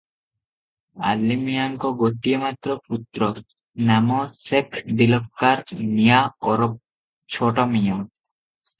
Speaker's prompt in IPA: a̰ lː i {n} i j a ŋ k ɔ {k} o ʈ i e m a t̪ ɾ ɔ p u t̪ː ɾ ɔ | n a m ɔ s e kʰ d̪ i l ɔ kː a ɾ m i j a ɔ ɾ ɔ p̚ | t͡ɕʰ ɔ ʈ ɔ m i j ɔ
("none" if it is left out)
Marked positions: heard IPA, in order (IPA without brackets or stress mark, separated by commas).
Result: m, ɡ